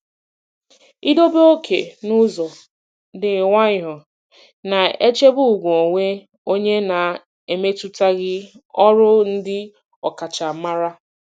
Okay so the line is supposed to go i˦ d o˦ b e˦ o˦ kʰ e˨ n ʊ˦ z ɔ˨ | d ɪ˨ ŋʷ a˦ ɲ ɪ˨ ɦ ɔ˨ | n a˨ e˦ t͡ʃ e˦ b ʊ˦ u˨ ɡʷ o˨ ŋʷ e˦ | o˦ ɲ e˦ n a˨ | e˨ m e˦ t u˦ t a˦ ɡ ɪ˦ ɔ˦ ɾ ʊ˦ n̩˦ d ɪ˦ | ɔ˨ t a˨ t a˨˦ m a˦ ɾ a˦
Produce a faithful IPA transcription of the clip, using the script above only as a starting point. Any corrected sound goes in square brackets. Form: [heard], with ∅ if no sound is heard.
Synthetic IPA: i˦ d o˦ b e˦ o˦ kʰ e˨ n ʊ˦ z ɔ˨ | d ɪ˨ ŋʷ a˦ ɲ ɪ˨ ɦ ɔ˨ | n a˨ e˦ t͡ʃ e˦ b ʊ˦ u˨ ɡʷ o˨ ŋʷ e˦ | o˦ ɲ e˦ n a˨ | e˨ m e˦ t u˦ t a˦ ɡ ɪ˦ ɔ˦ ɾ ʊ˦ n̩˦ d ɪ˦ | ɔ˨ [k] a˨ [t͡ʃ] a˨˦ m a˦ ɾ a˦